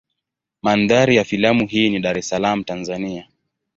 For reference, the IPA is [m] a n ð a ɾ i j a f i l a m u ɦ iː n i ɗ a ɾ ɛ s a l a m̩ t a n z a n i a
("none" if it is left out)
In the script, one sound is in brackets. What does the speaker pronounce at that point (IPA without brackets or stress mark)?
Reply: m